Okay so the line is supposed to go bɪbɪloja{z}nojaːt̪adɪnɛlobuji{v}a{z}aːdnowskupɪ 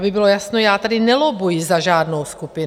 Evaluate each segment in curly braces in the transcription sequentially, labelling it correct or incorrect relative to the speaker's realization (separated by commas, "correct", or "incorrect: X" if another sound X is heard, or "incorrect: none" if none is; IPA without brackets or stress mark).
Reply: incorrect: s, incorrect: z, incorrect: ʒ